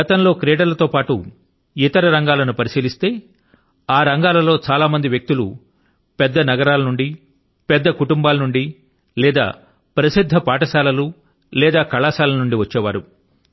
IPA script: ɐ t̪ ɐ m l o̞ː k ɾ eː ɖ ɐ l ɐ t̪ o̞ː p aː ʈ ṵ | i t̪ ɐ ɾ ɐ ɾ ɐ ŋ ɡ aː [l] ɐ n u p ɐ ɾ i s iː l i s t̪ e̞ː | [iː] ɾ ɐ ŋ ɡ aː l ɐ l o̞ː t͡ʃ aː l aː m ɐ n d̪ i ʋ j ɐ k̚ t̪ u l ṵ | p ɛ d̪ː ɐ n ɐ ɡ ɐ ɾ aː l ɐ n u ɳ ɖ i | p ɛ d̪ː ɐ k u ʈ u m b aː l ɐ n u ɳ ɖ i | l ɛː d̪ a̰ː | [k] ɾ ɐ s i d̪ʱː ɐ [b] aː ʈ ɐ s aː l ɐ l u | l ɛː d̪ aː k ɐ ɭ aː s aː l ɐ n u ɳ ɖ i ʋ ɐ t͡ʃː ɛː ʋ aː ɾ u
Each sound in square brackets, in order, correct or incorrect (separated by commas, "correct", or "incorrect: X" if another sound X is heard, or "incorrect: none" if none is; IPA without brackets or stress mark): correct, incorrect: aː, incorrect: p, incorrect: p